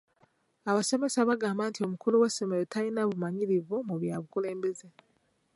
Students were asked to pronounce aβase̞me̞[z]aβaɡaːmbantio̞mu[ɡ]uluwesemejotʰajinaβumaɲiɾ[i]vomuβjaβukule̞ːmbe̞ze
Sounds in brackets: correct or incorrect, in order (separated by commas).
incorrect, incorrect, correct